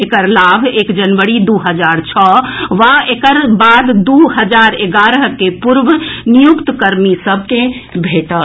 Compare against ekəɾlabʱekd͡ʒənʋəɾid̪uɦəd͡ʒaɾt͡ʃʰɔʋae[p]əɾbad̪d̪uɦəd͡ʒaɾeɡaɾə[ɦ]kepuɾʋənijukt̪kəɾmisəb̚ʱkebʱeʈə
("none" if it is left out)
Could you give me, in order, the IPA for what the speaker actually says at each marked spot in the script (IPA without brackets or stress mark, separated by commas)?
k, ɦ